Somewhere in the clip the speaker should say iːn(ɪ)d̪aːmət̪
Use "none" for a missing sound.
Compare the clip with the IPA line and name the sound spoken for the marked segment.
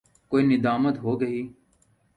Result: ɪ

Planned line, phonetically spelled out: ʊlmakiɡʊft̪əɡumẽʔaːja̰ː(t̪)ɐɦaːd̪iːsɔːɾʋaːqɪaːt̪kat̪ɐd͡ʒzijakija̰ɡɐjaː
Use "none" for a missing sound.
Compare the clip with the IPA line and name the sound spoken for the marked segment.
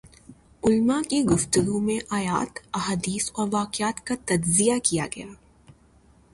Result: t̪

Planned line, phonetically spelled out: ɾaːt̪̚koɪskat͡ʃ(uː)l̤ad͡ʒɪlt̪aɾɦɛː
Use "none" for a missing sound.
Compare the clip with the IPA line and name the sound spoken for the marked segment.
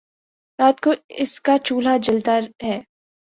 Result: uː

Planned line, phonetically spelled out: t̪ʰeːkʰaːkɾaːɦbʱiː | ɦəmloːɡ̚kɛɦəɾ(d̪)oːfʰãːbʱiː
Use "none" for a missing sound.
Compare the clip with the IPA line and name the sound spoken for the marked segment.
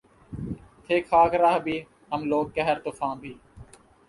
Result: t̪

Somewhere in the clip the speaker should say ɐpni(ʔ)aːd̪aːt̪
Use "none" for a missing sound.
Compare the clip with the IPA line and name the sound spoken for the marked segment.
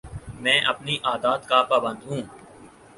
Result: ʔ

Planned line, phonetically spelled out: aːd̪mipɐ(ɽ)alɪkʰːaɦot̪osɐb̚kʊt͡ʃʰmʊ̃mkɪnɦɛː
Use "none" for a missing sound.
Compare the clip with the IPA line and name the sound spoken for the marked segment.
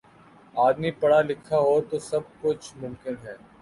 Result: ɽ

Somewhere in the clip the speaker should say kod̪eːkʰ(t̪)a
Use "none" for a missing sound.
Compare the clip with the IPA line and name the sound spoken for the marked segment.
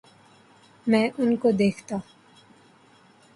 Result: t̪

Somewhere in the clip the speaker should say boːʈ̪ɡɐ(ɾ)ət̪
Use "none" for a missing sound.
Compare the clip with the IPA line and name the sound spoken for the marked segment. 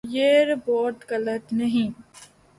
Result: l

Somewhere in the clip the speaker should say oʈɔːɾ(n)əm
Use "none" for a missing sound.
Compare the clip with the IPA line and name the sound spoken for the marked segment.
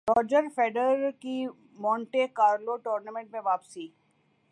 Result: n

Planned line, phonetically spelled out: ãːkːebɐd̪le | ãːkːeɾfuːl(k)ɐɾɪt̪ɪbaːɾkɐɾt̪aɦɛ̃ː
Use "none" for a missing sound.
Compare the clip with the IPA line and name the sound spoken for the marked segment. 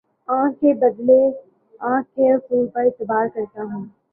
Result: p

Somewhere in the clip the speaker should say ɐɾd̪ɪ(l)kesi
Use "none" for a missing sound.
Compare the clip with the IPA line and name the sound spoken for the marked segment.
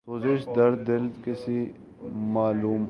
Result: l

